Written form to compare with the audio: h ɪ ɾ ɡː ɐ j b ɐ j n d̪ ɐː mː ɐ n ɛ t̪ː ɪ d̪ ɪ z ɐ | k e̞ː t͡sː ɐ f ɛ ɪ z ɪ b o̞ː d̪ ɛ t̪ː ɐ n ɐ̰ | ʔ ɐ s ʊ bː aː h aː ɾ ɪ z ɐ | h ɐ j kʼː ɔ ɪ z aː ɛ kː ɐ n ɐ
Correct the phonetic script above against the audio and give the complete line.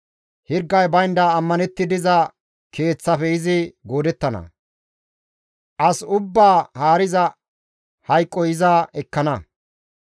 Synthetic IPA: h ɪ ɾ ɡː ɐ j b ɐ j n d̪ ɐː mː ɐ n ɛ t̪ː ɪ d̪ ɪ z ɐ | k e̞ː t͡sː ɐ f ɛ ɪ z ɪ ɡ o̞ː d̪ ɛ t̪ː ɐ n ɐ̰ | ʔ ɐ s ʊ bː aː h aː ɾ ɪ z ɐ | h ɐ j kʼː ɔ ɪ z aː ɛ kː ɐ n ɐ